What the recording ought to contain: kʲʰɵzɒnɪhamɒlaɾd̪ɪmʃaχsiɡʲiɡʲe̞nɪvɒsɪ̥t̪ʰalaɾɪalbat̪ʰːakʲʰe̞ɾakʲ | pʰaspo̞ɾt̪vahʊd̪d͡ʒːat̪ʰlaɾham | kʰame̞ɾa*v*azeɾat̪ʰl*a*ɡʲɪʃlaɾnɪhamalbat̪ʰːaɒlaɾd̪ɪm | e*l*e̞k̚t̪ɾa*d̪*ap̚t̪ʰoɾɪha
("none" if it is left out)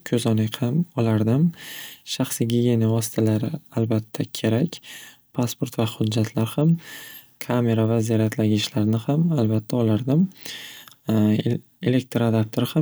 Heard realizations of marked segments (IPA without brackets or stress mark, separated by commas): v, a, l, d̪